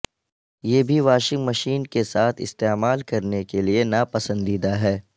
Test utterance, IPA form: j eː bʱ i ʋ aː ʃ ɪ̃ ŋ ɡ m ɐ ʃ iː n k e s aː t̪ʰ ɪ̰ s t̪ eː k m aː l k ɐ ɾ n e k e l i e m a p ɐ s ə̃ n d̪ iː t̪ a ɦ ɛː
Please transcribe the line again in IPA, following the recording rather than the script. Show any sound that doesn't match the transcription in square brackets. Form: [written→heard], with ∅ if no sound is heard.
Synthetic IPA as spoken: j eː bʱ i ʋ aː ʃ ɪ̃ ŋ ɡ m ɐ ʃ iː n k e s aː t̪ʰ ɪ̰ s t̪ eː [k→∅] m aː l k ɐ ɾ n e k e l i e [m→n] a p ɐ s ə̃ n d̪ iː [t̪→d̪] a ɦ ɛː